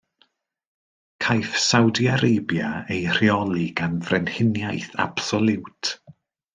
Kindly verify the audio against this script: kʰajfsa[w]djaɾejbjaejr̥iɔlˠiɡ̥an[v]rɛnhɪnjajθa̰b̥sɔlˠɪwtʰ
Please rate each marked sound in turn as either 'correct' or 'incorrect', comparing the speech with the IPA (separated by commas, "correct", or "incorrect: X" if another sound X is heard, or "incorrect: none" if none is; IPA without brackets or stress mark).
correct, correct